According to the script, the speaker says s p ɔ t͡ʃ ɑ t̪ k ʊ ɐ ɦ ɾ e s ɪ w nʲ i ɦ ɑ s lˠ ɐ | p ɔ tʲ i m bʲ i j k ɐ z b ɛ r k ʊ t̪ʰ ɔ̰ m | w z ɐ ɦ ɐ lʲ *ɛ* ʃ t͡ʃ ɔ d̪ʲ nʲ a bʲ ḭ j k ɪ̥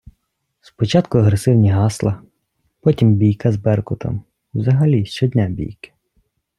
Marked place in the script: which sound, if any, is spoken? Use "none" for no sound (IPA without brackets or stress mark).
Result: i